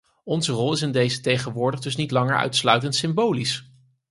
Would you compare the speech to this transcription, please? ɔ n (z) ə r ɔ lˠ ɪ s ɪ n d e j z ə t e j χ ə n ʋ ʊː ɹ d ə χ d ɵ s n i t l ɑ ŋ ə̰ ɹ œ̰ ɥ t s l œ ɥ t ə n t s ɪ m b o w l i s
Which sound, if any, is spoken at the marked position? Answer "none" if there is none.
z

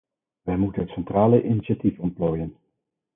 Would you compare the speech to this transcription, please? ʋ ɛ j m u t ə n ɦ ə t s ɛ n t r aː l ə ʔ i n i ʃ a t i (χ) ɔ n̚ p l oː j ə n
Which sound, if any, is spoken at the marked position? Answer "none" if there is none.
f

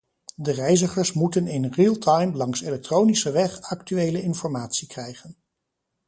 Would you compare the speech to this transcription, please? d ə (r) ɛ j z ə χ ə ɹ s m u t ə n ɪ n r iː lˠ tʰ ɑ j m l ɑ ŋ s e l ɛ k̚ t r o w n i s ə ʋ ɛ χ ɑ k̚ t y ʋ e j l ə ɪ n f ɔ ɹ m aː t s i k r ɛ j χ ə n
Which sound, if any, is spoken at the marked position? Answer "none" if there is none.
r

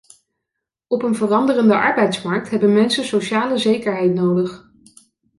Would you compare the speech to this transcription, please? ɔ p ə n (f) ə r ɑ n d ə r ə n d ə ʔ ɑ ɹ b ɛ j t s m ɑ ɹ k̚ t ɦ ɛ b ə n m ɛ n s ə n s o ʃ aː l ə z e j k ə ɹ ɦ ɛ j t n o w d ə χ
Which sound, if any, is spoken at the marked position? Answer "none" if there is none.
v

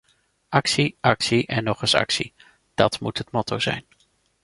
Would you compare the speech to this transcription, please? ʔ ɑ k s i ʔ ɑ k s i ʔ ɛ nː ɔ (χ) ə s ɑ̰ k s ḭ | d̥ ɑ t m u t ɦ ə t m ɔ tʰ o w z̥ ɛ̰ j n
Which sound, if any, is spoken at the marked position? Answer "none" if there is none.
χ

